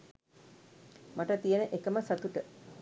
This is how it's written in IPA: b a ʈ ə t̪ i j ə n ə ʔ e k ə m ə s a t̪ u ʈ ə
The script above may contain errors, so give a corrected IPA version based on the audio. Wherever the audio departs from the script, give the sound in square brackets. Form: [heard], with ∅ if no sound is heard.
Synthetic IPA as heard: [m] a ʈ ə t̪ i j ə n ə ʔ e k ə m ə s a t̪ u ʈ ə